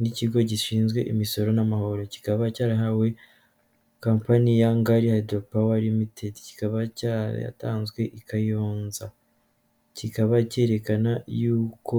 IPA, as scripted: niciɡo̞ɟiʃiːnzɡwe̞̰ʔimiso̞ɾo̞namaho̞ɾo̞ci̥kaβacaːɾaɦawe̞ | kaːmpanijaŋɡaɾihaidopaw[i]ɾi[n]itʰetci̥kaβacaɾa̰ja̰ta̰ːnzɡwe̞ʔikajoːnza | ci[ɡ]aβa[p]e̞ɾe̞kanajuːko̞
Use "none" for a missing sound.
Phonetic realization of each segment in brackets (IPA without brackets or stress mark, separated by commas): a, m, k, c